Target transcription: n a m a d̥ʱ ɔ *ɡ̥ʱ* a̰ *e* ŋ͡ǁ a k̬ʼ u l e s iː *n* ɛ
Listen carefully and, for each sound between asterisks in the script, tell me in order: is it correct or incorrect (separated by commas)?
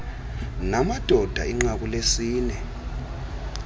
incorrect, incorrect, correct